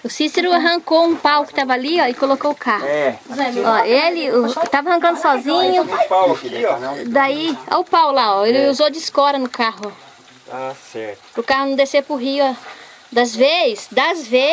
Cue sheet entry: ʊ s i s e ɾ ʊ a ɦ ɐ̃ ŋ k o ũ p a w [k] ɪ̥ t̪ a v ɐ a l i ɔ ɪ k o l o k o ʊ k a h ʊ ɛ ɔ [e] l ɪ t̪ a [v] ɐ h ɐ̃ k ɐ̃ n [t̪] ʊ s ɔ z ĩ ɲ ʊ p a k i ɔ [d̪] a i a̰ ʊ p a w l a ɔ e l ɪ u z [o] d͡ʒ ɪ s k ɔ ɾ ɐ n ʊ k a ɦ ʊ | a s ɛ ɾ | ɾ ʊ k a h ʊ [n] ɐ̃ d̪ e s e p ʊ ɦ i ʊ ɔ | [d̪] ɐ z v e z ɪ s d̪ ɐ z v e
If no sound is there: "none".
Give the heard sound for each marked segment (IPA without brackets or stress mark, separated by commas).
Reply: k, e, v, d̪, d̪, o, n, d̪